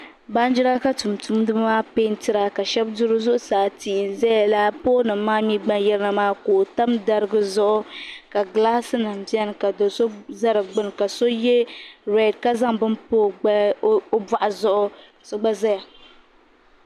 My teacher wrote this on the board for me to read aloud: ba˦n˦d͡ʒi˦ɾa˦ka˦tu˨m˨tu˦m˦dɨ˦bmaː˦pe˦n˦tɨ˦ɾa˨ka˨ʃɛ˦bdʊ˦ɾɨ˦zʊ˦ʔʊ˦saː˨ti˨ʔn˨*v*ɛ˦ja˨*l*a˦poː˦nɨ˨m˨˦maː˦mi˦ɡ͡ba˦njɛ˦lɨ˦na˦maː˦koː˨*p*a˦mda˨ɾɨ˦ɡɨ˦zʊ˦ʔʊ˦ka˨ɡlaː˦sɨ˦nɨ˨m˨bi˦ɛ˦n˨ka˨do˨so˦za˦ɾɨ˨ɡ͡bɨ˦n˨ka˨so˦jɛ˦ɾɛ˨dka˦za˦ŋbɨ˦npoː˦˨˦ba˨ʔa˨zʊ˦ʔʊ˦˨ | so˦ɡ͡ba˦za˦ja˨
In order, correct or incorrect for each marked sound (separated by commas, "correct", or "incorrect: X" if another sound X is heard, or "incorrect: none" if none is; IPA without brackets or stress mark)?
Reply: incorrect: z, correct, incorrect: t